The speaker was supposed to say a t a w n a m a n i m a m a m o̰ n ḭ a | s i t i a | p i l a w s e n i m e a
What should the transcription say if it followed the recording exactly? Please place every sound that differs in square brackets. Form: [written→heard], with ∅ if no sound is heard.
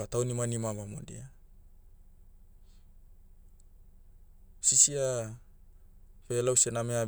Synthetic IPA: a t a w n [a→i] m a n i m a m a m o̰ [n→d] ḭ a | s i [t→s] i a | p [i→e] l a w s e n [i→a] m e a